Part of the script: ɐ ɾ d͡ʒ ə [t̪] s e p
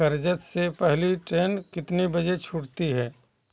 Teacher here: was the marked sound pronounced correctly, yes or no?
yes